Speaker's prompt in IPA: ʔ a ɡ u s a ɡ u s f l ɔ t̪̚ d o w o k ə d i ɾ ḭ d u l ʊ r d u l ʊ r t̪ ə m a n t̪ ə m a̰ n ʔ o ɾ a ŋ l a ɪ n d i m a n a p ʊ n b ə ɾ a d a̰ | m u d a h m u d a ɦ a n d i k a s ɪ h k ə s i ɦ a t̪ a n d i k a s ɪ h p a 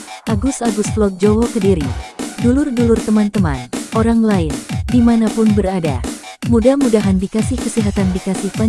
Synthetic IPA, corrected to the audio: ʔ a ɡ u s a ɡ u s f l ɔ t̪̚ d͡ʒ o w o k ə d i ɾ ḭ d u l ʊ r d u l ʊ r t̪ ə m a n t̪ ə m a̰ n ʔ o ɾ a ŋ l a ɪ n d i m a n a p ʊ n b ə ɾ a d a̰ | m u d a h m u d a ɦ a n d i k a s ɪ h k ə s i ɦ a t̪ a n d i k a s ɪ h p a